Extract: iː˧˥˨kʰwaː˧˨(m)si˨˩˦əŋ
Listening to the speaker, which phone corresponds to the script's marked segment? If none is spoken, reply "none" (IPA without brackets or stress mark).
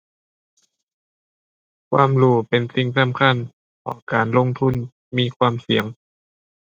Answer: m